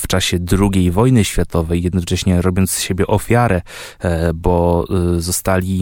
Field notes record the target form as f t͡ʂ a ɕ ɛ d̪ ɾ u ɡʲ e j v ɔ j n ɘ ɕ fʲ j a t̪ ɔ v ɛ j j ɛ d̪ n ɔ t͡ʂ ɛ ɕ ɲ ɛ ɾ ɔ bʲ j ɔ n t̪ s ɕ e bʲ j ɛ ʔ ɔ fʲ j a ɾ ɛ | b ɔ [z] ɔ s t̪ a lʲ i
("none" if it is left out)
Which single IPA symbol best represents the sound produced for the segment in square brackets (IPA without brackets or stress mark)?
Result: z